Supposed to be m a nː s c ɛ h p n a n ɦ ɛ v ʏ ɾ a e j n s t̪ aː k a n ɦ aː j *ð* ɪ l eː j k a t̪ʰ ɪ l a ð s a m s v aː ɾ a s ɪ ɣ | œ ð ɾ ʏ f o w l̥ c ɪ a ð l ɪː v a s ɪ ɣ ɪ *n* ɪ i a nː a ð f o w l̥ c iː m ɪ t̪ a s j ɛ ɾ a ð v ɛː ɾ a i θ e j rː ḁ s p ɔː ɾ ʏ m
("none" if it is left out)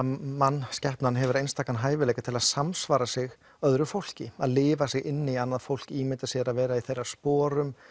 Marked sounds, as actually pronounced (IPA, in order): v, nː

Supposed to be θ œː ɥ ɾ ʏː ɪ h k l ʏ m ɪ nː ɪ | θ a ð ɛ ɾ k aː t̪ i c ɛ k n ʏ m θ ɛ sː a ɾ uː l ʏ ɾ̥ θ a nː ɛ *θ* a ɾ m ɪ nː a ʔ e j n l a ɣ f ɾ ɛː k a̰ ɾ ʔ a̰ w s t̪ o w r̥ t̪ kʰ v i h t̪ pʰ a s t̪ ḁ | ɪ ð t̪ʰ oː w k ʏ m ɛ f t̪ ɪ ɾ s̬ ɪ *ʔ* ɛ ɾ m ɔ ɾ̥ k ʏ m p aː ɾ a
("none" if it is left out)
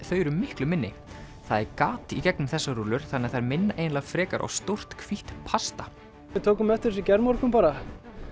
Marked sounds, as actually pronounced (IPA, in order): θ, c

